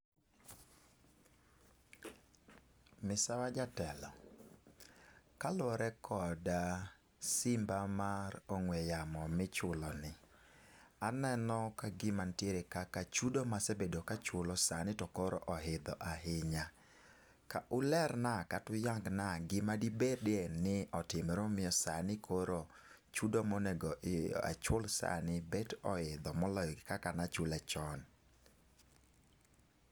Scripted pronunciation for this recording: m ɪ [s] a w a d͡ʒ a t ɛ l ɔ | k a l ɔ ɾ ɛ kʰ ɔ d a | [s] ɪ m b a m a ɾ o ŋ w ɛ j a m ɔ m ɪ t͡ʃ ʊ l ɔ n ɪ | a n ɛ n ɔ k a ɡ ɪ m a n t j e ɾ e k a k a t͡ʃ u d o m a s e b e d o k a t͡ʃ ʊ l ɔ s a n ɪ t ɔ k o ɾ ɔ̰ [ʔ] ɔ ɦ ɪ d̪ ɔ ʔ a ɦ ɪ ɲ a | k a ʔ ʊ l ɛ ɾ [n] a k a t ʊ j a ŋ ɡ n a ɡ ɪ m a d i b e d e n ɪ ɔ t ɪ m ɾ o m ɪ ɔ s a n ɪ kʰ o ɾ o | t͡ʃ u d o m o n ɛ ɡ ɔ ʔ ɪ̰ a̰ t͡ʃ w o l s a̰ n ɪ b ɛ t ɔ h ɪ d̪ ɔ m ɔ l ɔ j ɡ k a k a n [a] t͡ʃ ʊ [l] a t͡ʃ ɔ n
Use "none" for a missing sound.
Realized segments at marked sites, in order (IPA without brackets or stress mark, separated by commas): s, s, ʔ, n, a, l